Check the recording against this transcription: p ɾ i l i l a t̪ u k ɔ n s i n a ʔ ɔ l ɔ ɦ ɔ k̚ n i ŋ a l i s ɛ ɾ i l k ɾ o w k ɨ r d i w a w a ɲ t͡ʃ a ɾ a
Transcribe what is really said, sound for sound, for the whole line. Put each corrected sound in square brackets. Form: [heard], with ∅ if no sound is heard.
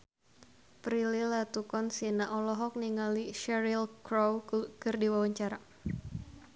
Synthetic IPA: p ɾ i l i l a t̪ u k ɔ n s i n a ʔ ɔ l ɔ ɦ ɔ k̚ n i ŋ a l i [ʃ] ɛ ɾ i l k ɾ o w k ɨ r d i w a w a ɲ t͡ʃ a ɾ a